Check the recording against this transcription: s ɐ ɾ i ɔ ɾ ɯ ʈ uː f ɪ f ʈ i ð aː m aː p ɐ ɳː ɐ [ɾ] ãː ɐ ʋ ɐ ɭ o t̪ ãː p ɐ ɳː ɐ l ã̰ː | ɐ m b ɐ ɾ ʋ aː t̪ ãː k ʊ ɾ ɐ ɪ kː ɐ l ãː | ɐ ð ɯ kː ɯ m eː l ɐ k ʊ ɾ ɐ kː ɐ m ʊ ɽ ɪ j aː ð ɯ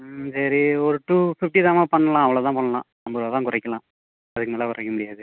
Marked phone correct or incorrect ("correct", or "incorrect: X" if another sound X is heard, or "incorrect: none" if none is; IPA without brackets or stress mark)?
incorrect: l